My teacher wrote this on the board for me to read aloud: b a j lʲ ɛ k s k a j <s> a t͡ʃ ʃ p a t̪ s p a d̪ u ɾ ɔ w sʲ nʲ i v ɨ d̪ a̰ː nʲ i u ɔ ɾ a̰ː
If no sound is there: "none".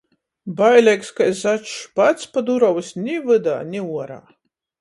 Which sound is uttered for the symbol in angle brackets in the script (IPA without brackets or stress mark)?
z